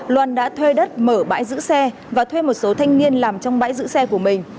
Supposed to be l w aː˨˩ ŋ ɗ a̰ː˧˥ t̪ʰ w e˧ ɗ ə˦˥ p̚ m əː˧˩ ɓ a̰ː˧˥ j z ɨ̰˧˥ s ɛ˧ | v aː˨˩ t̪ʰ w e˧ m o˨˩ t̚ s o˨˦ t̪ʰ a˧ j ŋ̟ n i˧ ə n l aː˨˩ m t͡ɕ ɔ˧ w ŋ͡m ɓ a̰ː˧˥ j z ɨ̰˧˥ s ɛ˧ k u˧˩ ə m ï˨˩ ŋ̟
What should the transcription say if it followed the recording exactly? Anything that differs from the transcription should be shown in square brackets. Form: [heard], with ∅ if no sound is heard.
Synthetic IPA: l w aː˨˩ [n] ɗ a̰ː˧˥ t̪ʰ w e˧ ɗ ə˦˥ [t̚] m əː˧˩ ɓ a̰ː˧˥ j z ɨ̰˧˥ s ɛ˧ | v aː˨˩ t̪ʰ w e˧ m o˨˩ t̚ s o˨˦ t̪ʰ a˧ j ŋ̟ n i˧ ə n l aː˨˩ m t͡ɕ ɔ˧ w ŋ͡m ɓ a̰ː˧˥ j z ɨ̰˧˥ s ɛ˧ k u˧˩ ə m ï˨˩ ŋ̟

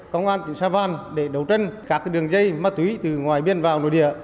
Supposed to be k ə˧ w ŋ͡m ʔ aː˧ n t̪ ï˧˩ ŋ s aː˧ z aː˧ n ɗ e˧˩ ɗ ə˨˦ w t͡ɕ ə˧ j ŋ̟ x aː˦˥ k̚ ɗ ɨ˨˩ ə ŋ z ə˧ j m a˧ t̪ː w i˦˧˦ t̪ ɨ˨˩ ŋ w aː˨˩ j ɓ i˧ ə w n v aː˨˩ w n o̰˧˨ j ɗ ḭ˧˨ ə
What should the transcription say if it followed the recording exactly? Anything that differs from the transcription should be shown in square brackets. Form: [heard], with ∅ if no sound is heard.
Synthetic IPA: k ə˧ w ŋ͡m ʔ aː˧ n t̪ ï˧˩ ŋ s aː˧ [v] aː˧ n ɗ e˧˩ ɗ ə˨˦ w t͡ɕ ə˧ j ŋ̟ [k] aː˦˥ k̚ ɗ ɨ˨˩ ə ŋ z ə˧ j m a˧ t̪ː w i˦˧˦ t̪ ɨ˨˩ ŋ w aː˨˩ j ɓ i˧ ə [∅] n v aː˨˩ w n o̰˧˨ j ɗ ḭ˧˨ ə

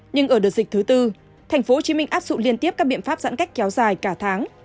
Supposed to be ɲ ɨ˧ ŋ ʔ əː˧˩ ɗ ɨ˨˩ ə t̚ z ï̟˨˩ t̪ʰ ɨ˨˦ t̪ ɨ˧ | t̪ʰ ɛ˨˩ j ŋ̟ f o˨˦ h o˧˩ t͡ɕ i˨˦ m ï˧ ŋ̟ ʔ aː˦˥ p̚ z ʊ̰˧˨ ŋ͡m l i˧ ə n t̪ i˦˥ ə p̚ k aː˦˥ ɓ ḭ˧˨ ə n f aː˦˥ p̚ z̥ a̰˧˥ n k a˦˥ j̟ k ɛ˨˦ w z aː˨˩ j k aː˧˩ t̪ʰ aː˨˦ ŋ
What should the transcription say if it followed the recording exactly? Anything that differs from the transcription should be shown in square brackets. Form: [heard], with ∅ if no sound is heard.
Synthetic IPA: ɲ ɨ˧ ŋ ʔ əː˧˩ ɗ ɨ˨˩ ə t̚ z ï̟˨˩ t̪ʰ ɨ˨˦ t̪ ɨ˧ | t̪ʰ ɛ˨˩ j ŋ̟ f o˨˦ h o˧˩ t͡ɕ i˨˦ m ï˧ ŋ̟ ʔ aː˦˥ p̚ z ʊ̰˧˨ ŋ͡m l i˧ ə n t̪ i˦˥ ə p̚ k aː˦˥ ɓ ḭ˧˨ ə n f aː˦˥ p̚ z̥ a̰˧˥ n k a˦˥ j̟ k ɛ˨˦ w z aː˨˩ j k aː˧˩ t̪ʰ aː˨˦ ŋ

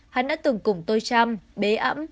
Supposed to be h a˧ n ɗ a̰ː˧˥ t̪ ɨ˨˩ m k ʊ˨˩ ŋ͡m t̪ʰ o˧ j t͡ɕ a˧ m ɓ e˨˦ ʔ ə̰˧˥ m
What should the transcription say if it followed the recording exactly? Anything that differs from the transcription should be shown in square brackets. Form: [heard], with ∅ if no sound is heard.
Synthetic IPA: h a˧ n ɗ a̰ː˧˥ t̪ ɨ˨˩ [ŋ] k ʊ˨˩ ŋ͡m [t̪] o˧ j t͡ɕ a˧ m ɓ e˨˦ ʔ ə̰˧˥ m

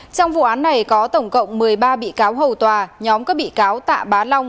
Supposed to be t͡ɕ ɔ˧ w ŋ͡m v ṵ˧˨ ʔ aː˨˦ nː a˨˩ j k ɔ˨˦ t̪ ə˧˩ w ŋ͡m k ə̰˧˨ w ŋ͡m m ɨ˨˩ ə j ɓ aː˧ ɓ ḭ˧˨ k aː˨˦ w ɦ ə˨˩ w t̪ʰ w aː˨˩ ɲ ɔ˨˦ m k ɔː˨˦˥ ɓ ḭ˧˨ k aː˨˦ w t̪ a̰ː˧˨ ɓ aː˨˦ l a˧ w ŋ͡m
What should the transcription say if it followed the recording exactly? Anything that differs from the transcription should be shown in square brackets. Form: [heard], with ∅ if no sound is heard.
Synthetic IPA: t͡ɕ ɔ˧ w ŋ͡m v ṵ˧˨ ʔ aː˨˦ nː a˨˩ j k ɔ˨˦ t̪ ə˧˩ w ŋ͡m k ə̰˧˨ w ŋ͡m m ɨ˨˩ ə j ɓ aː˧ ɓ ḭ˧˨ k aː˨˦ w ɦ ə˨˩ w [t̪] w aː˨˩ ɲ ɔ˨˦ m k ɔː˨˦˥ ɓ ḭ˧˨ k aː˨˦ w t̪ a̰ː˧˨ ɓ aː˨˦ l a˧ w ŋ͡m

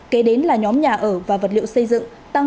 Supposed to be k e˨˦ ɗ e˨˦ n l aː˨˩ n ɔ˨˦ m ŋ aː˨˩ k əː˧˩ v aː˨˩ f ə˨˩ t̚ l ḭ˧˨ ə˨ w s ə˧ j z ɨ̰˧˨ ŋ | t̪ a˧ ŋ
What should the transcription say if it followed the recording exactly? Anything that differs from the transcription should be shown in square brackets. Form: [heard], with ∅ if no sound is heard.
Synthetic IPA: k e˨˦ ɗ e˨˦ n l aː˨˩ [ɲ] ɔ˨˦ m [ɲ] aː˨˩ [ʔ] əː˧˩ v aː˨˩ [v] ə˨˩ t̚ l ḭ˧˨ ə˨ w s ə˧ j z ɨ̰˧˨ ŋ | t̪ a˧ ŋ

